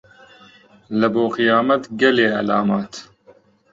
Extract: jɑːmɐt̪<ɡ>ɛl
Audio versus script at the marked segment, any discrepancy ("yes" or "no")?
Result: no